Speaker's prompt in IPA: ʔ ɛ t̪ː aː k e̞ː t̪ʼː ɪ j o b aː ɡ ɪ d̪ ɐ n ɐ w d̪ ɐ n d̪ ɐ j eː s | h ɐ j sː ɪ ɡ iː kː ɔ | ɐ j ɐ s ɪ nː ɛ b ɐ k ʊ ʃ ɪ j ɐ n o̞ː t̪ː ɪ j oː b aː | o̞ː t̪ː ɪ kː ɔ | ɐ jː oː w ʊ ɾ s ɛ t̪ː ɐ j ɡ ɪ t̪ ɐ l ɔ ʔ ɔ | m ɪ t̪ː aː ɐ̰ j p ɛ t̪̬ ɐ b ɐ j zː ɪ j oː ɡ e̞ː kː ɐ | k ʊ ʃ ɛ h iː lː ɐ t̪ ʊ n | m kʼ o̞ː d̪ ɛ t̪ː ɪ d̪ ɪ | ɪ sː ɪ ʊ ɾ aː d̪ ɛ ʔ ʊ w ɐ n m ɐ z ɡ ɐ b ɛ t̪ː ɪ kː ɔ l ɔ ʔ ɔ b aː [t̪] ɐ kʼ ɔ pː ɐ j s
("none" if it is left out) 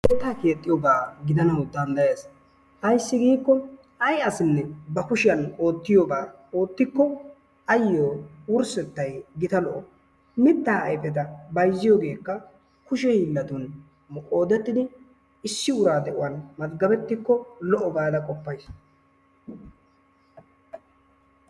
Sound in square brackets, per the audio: d̪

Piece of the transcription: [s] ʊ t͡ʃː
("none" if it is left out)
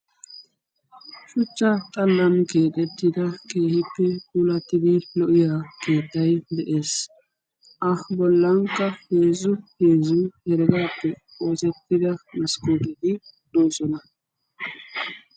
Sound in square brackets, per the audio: ʃ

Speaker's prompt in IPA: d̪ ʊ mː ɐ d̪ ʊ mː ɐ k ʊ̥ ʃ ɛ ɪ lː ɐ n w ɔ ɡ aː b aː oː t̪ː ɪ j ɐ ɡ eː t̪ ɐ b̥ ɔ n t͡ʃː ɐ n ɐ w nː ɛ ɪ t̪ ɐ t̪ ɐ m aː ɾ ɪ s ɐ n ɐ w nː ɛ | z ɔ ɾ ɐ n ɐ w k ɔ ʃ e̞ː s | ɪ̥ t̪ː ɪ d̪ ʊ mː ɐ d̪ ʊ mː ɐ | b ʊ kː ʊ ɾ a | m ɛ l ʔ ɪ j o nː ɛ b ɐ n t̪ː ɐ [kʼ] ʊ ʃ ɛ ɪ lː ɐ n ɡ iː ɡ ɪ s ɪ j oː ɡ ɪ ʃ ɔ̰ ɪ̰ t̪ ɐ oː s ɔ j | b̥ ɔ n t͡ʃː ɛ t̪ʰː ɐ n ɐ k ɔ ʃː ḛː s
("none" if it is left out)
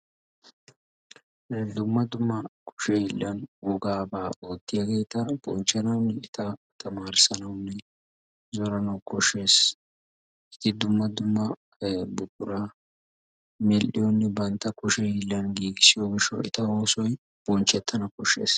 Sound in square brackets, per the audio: k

